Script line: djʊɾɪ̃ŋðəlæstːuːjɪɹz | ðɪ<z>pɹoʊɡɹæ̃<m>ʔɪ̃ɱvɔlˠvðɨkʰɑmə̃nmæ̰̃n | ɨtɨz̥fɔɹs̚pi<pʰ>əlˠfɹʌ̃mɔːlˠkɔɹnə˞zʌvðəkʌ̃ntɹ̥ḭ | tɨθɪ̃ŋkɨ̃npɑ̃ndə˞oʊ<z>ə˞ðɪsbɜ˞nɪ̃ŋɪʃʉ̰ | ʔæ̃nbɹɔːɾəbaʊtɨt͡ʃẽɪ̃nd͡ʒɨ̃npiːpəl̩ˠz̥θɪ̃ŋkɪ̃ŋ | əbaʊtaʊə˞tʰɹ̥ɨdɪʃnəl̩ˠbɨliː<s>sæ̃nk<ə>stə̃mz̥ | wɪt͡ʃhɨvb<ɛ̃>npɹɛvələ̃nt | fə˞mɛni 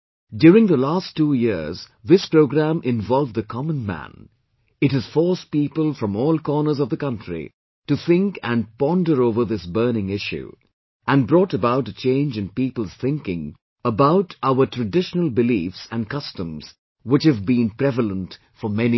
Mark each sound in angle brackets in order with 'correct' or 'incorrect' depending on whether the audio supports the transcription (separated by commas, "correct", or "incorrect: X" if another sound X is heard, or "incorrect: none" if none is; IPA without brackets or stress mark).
incorrect: s, correct, incorrect: p, incorrect: v, incorrect: f, incorrect: ʌ, incorrect: ĩ